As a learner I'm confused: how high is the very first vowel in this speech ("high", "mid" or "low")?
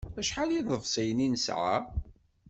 low